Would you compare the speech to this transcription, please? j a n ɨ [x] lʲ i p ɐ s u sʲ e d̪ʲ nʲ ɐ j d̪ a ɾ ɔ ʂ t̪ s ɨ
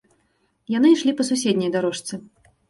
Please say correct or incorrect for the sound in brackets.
incorrect